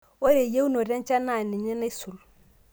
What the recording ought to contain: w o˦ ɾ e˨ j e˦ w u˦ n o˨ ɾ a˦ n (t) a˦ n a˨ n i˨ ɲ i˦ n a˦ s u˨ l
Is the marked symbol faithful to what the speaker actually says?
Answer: no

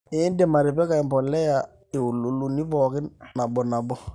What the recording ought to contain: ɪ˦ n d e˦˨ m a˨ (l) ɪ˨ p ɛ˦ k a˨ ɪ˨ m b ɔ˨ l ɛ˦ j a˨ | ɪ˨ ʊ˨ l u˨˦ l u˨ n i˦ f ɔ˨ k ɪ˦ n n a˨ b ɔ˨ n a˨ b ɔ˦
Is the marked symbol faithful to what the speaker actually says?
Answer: no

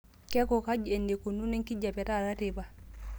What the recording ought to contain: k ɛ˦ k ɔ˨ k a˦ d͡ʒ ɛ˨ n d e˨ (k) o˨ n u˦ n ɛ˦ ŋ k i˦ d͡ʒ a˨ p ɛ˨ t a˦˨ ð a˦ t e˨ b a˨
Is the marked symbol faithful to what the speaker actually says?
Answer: yes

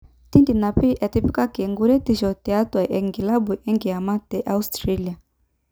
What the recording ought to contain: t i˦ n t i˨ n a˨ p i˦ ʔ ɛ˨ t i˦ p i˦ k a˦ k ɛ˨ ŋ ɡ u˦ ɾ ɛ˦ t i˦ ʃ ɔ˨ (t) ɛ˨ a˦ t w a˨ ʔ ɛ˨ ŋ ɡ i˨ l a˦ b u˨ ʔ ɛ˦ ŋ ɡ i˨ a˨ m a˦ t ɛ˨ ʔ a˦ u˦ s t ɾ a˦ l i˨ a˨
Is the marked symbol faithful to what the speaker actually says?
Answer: yes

